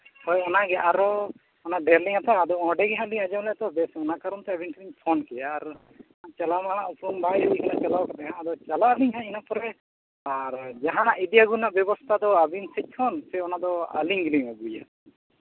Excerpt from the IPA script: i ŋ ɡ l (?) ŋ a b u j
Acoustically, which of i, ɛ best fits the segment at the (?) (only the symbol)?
i